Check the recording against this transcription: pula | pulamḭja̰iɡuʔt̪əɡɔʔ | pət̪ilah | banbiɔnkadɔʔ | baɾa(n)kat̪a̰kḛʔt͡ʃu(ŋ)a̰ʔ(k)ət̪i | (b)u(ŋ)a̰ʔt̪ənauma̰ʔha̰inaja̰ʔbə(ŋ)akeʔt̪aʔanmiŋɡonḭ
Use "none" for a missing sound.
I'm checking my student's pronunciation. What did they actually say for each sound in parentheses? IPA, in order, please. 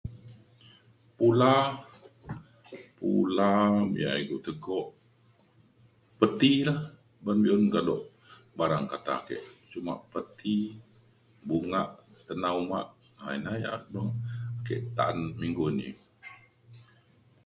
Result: ŋ, m, p, b, ŋ, ŋ

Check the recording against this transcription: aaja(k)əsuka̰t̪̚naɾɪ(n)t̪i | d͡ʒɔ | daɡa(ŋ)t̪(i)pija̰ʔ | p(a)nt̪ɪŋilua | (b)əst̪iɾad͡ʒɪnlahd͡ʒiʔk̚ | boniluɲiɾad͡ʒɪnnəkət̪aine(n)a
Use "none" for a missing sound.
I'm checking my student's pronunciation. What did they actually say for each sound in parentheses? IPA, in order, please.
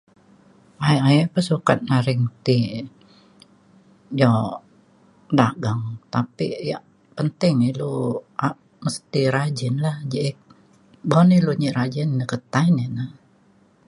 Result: p, ŋ, ŋ, a, ə, m, n

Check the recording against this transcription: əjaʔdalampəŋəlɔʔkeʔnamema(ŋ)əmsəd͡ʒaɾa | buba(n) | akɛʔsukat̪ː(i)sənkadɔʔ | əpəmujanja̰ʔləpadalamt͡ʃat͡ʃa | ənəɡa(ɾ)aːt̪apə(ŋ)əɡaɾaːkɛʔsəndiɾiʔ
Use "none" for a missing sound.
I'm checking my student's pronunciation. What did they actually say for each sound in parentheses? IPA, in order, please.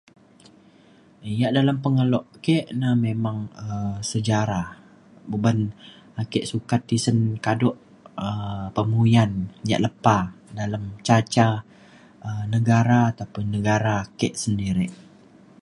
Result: ŋ, n, i, ɾ, n

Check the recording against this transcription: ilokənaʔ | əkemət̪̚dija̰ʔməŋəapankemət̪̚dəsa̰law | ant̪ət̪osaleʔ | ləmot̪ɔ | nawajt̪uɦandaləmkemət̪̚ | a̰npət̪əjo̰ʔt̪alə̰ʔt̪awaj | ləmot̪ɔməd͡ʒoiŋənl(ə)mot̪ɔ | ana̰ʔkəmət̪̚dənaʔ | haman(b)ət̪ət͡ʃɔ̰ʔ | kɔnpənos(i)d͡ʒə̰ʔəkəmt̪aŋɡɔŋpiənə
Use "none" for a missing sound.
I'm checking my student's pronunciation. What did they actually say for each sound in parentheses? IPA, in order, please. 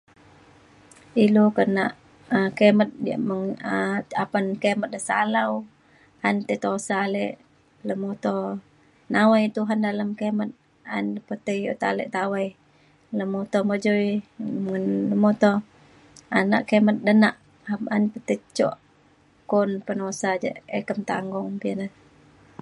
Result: ə, p, a

